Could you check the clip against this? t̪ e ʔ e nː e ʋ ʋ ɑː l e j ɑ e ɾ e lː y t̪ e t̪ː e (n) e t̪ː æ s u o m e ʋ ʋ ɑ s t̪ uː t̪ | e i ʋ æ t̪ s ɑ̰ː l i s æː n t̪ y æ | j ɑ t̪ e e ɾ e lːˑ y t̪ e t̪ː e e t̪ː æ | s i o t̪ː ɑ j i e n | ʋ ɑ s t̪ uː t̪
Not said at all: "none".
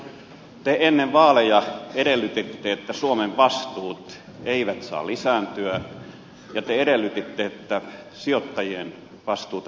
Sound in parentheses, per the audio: none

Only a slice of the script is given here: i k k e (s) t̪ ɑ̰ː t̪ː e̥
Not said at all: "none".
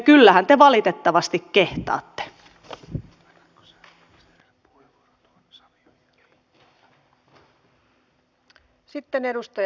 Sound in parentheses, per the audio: h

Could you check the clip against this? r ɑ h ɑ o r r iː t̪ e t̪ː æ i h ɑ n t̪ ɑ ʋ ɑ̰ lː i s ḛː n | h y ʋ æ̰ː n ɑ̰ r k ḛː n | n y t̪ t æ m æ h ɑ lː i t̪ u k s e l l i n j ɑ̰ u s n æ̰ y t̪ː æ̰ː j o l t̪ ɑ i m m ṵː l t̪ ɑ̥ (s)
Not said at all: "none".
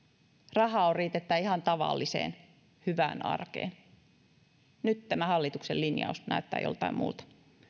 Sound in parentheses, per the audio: none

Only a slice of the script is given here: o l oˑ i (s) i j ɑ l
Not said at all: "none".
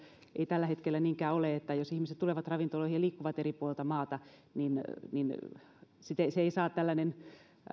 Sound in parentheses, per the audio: h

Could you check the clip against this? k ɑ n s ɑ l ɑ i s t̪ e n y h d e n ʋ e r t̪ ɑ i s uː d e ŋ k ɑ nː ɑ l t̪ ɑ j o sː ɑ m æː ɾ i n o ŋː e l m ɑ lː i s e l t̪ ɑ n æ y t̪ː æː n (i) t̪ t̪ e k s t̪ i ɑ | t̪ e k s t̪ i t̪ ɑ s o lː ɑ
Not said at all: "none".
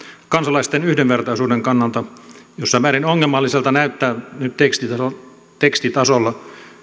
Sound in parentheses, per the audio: y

